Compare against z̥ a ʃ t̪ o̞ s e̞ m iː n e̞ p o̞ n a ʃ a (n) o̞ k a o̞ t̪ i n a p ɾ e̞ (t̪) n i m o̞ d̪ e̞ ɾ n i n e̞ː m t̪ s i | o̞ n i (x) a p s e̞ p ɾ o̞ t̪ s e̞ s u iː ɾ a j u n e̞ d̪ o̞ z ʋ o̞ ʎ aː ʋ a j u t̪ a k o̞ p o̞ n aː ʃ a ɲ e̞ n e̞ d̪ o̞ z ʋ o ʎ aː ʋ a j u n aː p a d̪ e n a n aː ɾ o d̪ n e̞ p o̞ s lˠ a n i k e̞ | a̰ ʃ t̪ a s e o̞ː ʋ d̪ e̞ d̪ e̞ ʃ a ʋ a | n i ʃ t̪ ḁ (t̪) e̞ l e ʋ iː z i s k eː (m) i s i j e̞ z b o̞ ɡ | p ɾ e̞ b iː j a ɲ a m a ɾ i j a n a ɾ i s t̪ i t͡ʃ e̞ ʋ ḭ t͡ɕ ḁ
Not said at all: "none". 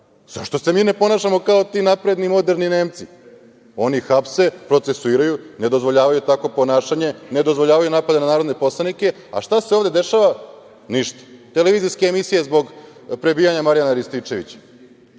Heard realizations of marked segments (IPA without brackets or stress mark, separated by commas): m, d̪, x, t̪, m